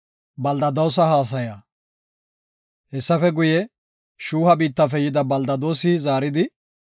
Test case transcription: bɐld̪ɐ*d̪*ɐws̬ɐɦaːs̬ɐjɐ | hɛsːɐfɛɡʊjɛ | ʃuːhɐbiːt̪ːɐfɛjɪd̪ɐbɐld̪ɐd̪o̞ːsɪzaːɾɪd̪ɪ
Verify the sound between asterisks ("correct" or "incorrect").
correct